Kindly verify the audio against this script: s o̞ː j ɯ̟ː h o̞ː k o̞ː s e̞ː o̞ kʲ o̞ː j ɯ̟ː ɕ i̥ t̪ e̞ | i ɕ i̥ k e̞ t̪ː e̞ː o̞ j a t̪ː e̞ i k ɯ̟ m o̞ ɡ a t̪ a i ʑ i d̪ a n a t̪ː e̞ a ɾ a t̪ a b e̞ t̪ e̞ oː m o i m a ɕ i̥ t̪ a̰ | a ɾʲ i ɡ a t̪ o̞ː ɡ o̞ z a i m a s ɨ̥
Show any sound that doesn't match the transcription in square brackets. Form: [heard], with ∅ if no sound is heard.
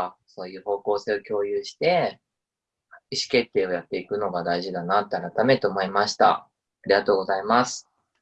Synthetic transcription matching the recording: s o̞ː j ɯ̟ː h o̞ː k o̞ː s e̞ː o̞ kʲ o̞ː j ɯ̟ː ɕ i̥ t̪ e̞ | i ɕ i̥ k e̞ t̪ː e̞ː o̞ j a t̪ː e̞ i k ɯ̟ [n] o̞ ɡ a [d̪] a i ʑ i d̪ a n a t̪ː e̞ a ɾ a t̪ a [m] e̞ t̪ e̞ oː m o i m a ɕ i̥ t̪ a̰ | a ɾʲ i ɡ a t̪ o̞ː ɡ o̞ z a i m a s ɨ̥

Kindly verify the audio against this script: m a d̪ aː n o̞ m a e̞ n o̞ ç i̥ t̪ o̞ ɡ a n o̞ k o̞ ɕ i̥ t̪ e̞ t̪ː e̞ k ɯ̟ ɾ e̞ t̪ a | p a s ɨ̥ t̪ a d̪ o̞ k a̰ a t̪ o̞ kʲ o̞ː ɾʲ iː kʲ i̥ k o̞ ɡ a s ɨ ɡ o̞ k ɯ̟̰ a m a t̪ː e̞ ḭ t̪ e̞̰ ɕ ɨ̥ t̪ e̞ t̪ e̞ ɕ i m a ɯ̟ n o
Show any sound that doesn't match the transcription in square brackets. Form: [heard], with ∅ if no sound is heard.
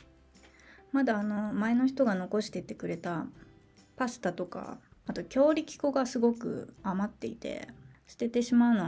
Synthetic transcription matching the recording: m a d̪ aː n o̞ m a e̞ n o̞ ç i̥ t̪ o̞ ɡ a n o̞ k o̞ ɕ i̥ t̪ e̞ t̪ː e̞ k ɯ̟ ɾ e̞ t̪ a | p a s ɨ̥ t̪ a [t̪] o̞ k a̰ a t̪ o̞ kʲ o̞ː ɾʲ [i] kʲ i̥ k o̞ ɡ a s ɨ ɡ o̞ k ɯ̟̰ a m a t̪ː e̞ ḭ t̪ e̞̰ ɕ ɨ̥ t̪ e̞ t̪ e̞ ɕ i m a ɯ̟ n o

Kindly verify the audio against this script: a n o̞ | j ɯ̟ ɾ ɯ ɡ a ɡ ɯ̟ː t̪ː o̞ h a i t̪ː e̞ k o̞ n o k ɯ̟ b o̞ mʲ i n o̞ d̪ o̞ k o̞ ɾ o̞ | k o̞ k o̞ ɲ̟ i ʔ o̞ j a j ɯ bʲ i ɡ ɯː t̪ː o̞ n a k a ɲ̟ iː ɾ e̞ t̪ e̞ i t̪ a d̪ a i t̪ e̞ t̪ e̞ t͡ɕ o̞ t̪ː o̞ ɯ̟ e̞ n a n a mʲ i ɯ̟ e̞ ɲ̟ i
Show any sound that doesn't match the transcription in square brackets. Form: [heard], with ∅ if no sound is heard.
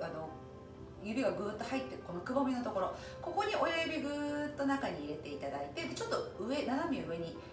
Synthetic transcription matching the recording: a n o̞ | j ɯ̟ ɾ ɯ ɡ a ɡ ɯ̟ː t̪ː o̞ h a i t̪ː e̞ k o̞ n o k ɯ̟ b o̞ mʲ i n o̞ [t̪] o̞ k o̞ ɾ o̞ | k o̞ k o̞ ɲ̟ i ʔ o̞ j a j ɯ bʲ i ɡ ɯː t̪ː o̞ n a k a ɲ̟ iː ɾ e̞ t̪ e̞ i t̪ a d̪ a i t̪ e̞ [d̪] e̞ t͡ɕ o̞ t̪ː o̞ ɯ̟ e̞ n a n a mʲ i ɯ̟ e̞ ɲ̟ i

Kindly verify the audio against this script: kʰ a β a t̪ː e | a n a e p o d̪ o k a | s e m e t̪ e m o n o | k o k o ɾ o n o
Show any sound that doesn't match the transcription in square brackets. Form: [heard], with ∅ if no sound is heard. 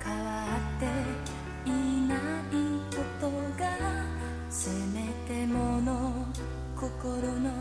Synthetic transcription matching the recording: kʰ a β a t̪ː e | [i] n a [i] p o [t̪] o [ɡ] a | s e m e t̪ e m o n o | k o k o ɾ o n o

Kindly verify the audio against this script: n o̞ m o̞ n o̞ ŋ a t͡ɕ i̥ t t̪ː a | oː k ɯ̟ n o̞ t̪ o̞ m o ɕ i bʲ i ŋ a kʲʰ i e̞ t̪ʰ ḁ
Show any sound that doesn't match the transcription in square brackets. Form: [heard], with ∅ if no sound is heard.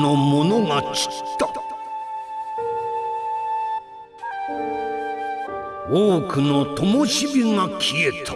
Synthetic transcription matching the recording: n o̞ m o̞ n o̞ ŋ a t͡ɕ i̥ t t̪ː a | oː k ɯ̟ n o̞ t̪ o̞ m o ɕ i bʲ i ŋ a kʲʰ i e̞ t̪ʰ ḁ

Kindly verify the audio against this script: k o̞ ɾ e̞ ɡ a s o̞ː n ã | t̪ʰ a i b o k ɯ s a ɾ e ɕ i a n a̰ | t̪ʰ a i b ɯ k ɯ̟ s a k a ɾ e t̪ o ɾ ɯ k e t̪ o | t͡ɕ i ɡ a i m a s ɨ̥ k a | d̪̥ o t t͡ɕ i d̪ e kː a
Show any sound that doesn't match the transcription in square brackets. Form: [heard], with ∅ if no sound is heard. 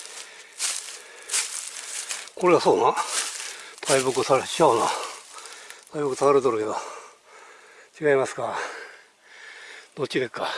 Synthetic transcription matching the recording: k o̞ ɾ e̞ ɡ a s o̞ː n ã | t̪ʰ a i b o k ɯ s a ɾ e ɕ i a n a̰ | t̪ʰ a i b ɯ k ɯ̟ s a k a ɾ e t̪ o ɾ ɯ k e [d̪] o | t͡ɕ i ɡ a i m a s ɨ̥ k a | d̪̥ o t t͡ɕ i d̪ e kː a

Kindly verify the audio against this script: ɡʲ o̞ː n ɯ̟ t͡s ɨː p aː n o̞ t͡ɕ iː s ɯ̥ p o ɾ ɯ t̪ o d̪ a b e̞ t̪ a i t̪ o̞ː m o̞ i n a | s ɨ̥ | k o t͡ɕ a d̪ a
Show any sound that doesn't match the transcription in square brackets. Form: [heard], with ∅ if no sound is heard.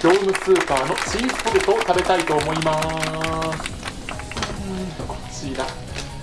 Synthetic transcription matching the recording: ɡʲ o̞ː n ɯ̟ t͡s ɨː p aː n o̞ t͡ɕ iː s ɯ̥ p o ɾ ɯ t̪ o [t̪] a b e̞ t̪ a i t̪ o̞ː m o̞ i [m] a | s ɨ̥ | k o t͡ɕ [i] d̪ a

